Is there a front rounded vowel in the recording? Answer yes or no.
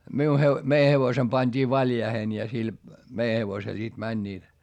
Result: no